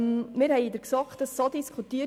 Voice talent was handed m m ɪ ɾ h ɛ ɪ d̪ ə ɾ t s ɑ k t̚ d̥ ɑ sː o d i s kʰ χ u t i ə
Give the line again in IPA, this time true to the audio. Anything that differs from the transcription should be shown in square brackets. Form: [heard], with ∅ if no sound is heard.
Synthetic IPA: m m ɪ ɾ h ɛ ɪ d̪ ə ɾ [k] s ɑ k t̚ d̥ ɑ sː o d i s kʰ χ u t i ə